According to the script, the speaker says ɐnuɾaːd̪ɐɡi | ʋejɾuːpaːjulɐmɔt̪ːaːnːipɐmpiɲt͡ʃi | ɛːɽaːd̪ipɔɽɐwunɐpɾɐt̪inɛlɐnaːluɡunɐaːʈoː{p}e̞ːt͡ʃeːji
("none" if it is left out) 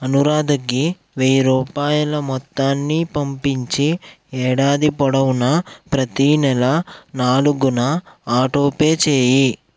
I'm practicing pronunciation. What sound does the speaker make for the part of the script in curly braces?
p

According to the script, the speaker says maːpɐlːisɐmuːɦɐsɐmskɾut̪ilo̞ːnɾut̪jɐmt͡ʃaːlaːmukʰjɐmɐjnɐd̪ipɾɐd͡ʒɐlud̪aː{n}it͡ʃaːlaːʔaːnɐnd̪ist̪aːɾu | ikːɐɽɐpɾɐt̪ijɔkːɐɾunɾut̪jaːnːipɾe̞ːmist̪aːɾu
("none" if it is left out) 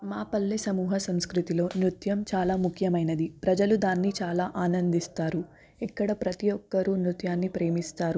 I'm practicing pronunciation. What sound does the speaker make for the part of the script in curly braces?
nː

